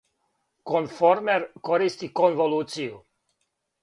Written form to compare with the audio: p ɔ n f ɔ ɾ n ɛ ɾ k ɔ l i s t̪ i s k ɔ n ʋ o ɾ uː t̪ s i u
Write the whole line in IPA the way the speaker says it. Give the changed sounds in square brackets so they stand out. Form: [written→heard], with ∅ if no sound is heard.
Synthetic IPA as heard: [p→k] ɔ n f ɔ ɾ [n→m] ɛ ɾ k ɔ [l→ɾ] i s t̪ i [s→∅] k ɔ n [ʋ→v] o [ɾ→l] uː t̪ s i u